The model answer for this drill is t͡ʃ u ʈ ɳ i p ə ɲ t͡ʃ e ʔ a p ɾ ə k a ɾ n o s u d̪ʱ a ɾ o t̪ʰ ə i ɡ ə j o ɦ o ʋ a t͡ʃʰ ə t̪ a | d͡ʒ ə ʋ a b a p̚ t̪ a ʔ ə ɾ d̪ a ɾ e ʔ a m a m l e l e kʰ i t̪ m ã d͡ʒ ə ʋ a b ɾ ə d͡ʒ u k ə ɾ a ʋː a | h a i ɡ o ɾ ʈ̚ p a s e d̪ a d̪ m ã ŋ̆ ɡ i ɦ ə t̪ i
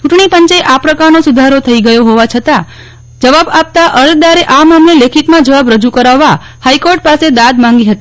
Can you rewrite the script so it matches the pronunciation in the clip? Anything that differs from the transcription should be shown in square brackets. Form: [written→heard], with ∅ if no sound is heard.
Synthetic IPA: t͡ʃ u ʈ ɳ i p ə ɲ t͡ʃ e ʔ a p ɾ ə k a ɾ n o s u d̪ʱ a ɾ o t̪ʰ ə i ɡ ə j o ɦ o ʋ a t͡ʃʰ ə t̪ a | d͡ʒ ə ʋ a b a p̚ t̪ a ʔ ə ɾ d̪ a ɾ e ʔ a m a m l e l e kʰ i t̪ m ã d͡ʒ ə ʋ a b ɾ ə d͡ʒ u k ə ɾ a ʋː a | h a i [ɡ→k] o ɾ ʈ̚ p a s e d̪ a d̪ m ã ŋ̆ ɡ i ɦ ə t̪ i

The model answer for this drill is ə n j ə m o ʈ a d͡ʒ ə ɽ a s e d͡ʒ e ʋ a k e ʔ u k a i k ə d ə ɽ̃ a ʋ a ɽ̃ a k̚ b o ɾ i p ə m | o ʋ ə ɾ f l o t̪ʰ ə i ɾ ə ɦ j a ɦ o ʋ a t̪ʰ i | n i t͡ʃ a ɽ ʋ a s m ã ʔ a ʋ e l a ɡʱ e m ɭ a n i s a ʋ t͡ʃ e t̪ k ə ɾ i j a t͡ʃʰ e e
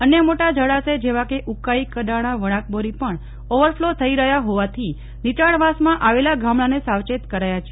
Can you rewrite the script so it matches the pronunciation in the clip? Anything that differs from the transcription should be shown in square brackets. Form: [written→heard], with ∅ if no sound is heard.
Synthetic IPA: ə n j ə m o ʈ a d͡ʒ ə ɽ a s e d͡ʒ e ʋ a k e ʔ u k a i k ə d [ə→a] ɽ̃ a ʋ [a→ə] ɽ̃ a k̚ b o ɾ i p ə [m→ɳ] | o ʋ ə ɾ f l o t̪ʰ ə i ɾ ə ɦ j a ɦ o ʋ a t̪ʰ i | n i t͡ʃ a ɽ ʋ a s m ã ʔ a ʋ e l a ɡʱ [e→a] m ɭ a n [i→e] s a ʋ t͡ʃ e t̪ k ə ɾ [i→a] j a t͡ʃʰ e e

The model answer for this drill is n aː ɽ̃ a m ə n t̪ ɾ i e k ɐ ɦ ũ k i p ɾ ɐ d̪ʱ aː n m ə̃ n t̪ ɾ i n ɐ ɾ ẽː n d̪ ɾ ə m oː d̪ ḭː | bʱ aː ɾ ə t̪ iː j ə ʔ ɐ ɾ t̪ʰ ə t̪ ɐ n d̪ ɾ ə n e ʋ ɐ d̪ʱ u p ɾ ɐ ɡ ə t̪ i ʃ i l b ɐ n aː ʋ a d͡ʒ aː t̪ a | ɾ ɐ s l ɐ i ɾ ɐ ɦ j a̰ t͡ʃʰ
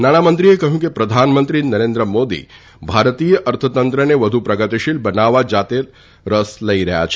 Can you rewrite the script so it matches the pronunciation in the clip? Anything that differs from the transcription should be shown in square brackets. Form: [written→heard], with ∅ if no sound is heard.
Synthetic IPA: n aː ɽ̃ a m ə n t̪ ɾ i e k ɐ ɦ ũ k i p ɾ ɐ d̪ʱ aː n m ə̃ n t̪ ɾ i n ɐ ɾ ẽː n d̪ ɾ ə m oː d̪ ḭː | bʱ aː ɾ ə t̪ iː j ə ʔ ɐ ɾ t̪ʰ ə t̪ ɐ n [d̪→t̪] ɾ ə n e ʋ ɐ d̪ʱ u p ɾ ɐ ɡ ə t̪ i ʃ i l b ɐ n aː ʋ a d͡ʒ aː t̪ [a→e] | ɾ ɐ s l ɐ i ɾ ɐ ɦ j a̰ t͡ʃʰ

